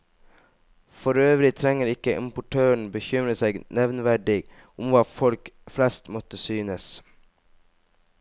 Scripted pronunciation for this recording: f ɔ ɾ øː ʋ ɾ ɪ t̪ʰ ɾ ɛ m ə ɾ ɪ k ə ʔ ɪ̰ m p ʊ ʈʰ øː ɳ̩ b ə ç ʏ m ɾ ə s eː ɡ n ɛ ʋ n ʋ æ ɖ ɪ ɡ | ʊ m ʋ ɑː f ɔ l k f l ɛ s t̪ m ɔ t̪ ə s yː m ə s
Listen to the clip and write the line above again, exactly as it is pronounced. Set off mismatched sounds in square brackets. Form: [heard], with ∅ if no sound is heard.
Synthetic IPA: f ɔ ɾ øː ʋ ɾ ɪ t̪ʰ ɾ ɛ [ŋ] ə ɾ ɪ k ə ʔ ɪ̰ m p ʊ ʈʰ øː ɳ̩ b ə ç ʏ m ɾ ə s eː ɡ n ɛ ʋ n ʋ æ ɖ ɪ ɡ | ʊ m ʋ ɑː f ɔ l k f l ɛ s t̪ m ɔ t̪ ə s yː [n] ə s